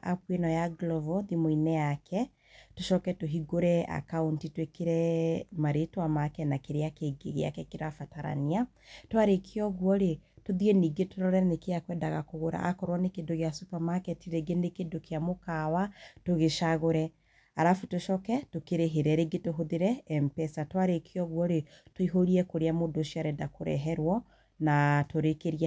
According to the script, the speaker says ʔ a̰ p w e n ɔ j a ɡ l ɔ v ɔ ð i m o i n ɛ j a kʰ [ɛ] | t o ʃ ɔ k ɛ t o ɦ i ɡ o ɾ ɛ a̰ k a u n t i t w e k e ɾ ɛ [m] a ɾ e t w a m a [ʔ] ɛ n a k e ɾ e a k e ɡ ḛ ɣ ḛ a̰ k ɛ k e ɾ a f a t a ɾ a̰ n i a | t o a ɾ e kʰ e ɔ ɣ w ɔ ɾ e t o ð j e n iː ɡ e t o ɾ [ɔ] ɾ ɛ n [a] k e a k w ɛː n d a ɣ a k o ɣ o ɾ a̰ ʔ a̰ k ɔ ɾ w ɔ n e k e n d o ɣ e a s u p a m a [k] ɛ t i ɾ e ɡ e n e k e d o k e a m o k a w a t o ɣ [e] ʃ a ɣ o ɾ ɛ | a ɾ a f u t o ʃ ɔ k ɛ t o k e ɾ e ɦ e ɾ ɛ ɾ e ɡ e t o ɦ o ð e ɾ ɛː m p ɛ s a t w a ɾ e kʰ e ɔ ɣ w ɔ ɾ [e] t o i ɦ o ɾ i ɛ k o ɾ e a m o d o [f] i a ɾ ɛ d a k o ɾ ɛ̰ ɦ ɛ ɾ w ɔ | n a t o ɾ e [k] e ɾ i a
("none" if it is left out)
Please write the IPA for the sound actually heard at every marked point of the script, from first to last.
ɛ, m, k, ɔ, e, k, e, e, ʃ, k

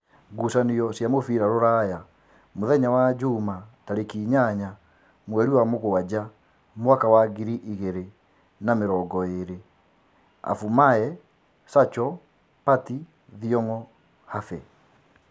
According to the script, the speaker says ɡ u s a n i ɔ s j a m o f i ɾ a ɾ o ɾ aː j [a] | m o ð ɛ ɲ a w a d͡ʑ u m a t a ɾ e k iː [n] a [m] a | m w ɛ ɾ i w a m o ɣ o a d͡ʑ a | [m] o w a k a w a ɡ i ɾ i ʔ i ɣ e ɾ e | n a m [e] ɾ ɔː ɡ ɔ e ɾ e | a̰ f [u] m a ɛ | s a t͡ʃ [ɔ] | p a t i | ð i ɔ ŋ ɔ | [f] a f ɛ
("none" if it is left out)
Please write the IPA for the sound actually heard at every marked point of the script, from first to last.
a, ɲ, ɲ, m, e, u, ɔ, h

